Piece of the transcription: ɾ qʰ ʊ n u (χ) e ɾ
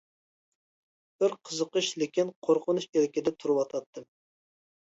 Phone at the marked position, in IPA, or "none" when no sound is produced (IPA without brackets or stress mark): ʃ